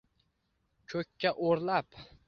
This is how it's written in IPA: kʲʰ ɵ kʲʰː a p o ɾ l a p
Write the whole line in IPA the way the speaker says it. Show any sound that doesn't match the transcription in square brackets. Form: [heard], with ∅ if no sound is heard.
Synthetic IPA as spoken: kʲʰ ɵ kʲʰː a [ʔ] o ɾ l a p